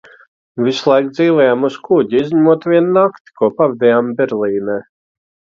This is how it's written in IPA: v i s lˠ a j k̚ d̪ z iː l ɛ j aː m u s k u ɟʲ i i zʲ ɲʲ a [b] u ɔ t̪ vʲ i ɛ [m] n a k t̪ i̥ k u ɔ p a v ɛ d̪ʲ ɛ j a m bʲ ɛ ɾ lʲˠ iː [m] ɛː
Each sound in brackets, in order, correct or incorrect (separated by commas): incorrect, incorrect, incorrect